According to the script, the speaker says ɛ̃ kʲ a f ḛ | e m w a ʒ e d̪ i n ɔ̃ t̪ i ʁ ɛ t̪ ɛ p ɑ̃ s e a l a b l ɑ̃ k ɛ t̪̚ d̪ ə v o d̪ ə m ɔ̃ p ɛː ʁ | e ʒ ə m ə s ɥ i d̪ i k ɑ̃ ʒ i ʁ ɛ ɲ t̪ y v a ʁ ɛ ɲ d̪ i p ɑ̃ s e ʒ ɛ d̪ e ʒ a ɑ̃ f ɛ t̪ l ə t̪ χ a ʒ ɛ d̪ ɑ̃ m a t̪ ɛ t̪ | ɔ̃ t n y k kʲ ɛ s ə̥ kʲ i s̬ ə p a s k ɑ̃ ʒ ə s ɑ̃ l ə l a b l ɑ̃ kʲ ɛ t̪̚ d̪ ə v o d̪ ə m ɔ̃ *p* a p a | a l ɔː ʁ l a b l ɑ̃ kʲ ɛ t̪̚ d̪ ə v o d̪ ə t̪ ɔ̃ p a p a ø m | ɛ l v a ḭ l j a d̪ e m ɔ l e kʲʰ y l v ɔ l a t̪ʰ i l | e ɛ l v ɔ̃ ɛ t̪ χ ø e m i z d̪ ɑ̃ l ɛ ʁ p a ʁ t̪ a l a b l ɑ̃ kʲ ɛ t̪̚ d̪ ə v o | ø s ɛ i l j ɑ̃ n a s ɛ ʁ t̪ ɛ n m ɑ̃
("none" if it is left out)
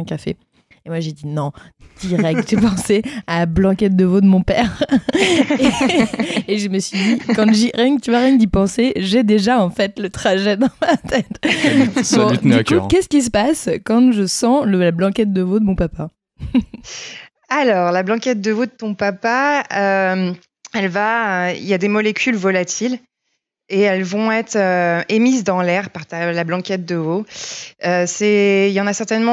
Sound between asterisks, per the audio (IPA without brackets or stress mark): p